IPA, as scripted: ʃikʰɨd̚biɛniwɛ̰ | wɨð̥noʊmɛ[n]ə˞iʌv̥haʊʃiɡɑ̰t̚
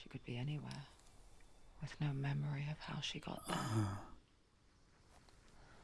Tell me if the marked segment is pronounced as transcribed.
no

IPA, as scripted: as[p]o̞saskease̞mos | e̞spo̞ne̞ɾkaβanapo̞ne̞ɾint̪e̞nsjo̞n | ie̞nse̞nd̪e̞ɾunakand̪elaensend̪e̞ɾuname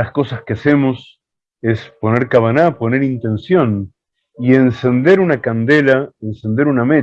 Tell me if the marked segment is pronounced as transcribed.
no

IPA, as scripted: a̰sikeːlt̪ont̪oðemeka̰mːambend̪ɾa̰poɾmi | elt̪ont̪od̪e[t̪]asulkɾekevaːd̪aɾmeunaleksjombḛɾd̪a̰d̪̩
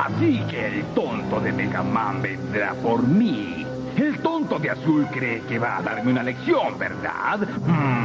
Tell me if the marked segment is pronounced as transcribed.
no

